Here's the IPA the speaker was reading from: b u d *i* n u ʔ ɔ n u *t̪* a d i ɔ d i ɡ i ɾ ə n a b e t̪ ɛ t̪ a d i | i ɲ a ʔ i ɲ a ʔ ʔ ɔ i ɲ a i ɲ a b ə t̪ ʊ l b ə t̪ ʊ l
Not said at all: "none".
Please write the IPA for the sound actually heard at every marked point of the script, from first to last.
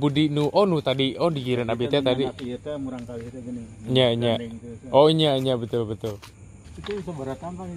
i, t̪

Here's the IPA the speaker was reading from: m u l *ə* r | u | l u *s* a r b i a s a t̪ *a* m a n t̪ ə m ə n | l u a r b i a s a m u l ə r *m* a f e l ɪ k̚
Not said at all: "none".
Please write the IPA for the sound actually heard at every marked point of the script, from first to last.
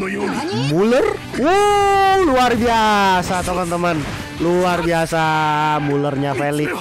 ə, none, ə, ɲ

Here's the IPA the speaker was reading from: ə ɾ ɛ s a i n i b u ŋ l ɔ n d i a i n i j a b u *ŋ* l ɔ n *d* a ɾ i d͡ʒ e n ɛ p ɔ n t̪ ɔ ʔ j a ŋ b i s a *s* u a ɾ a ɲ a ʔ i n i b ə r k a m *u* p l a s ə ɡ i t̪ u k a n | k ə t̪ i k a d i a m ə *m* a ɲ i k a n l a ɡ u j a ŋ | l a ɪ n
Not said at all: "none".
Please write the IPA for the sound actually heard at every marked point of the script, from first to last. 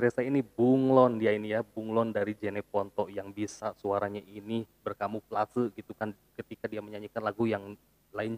ŋ, d, s, u, ɲ

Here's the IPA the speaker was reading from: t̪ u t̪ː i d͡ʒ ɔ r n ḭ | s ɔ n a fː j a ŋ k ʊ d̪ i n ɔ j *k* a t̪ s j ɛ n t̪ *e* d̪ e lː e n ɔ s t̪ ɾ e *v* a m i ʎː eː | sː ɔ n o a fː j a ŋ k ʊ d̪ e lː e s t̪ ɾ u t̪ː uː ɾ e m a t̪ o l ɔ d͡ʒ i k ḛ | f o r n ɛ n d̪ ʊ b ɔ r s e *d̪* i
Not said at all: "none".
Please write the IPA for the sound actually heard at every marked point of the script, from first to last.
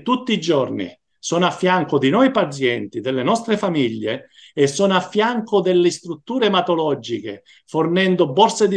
p, i, f, d̪

